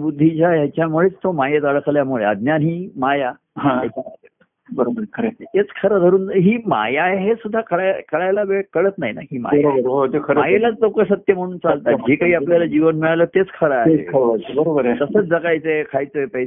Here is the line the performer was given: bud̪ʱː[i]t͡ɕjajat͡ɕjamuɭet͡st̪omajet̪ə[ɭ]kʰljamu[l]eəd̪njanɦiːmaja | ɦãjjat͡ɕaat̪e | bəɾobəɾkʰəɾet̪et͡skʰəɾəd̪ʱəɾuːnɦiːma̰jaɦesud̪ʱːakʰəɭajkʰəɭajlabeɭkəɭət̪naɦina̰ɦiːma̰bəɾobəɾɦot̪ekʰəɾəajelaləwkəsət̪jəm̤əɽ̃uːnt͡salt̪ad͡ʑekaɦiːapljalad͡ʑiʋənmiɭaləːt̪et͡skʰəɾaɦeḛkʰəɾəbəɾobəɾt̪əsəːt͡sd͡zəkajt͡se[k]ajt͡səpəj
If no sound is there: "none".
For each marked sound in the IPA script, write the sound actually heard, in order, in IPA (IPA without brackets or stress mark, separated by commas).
i, ɭ, ɭ, kʰ